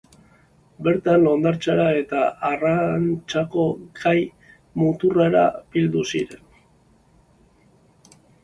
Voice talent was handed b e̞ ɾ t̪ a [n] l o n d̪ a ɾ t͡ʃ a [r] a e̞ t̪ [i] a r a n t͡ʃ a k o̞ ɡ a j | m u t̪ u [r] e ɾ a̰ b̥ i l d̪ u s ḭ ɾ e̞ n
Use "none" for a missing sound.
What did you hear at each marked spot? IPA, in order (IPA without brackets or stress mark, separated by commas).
n, ɾ, a, r